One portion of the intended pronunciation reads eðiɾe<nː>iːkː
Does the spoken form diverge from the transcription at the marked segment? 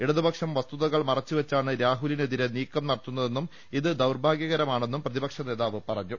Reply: yes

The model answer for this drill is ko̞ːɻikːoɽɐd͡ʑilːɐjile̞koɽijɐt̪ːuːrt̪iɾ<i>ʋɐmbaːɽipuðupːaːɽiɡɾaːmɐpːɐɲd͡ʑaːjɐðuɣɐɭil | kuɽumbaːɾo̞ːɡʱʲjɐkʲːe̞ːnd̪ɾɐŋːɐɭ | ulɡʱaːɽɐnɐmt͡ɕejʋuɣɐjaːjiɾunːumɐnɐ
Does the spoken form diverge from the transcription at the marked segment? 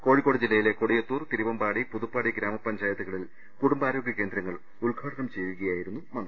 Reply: no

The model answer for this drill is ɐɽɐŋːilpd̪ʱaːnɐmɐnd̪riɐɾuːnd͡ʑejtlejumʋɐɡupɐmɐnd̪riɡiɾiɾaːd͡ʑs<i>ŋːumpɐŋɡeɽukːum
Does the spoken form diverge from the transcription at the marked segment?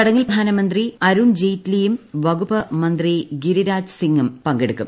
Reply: no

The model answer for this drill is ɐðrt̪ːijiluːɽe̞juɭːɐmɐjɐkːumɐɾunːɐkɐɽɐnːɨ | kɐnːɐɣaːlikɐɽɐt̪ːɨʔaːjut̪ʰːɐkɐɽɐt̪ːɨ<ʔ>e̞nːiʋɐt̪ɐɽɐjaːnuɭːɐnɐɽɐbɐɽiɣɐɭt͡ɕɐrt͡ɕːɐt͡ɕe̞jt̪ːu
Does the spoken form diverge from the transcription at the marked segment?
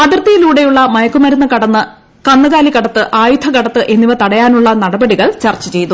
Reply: no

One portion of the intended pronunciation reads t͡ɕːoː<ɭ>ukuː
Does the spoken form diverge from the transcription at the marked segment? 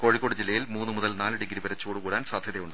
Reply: yes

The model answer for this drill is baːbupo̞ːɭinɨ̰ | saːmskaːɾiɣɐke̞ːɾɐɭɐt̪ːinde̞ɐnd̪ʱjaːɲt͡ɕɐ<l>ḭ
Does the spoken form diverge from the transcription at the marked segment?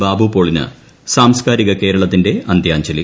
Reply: no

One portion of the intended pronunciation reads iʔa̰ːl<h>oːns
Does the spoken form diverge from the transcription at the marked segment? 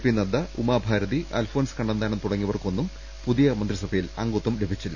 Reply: yes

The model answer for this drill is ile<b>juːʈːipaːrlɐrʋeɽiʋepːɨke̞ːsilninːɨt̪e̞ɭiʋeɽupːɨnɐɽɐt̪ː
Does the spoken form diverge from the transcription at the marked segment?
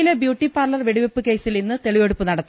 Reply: no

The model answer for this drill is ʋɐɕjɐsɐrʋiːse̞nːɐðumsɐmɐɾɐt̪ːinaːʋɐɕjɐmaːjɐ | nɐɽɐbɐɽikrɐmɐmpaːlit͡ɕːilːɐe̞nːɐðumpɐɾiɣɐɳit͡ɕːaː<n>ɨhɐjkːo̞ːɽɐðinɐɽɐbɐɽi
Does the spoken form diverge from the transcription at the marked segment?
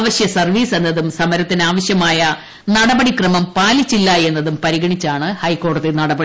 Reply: yes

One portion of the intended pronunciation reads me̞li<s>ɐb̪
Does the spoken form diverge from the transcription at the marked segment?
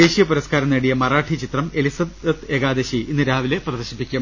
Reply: no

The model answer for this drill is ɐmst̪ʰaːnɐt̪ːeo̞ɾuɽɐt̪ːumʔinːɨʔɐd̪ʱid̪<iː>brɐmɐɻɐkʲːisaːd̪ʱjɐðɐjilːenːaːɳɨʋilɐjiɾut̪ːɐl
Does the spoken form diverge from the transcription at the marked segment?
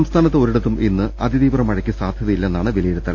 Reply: no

